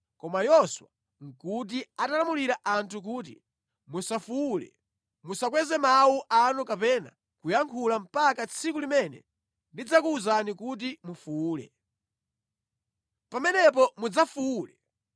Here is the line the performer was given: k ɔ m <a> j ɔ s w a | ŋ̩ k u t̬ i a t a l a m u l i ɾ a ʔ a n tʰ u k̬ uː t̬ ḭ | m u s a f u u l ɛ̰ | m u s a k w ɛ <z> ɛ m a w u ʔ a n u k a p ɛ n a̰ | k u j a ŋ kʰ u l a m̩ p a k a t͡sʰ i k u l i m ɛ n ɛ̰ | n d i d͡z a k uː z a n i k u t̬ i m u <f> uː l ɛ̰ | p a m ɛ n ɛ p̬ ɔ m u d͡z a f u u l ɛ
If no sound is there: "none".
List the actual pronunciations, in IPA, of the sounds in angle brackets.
a, z, f

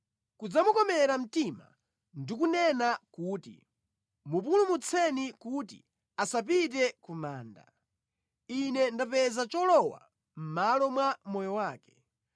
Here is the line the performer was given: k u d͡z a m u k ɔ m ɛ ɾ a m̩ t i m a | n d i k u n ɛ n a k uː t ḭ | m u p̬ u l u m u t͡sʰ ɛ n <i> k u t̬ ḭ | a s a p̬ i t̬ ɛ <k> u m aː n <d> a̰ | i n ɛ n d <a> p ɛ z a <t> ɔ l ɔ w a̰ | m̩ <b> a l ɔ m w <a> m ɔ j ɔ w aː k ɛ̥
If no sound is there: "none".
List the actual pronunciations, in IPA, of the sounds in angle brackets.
i, k, d, a, t͡ʃ, m, a

